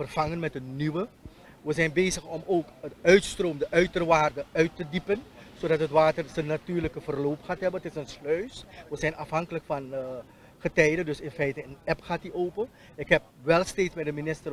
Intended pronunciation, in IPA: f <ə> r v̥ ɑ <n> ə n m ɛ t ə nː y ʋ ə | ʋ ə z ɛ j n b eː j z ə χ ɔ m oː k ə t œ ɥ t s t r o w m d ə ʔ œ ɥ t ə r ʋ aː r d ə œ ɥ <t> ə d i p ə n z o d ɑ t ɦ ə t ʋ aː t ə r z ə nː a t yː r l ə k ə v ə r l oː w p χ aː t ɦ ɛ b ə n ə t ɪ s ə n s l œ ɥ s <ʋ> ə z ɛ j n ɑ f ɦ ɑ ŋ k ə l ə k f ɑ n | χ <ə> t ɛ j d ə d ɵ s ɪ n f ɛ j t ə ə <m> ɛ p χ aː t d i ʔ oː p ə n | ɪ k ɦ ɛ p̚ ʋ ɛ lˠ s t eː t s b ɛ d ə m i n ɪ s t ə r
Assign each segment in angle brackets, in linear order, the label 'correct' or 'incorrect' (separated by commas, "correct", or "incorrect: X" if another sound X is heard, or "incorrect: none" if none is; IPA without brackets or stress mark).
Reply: correct, incorrect: ŋ, correct, correct, correct, incorrect: n